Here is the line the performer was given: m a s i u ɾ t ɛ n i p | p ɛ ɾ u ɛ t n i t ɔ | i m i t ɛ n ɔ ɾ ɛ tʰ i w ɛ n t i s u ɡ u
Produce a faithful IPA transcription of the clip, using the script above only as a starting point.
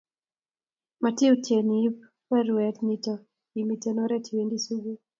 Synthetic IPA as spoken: m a t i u t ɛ n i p | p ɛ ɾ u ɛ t n i t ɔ | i m i t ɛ n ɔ ɾ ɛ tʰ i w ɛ n d i s u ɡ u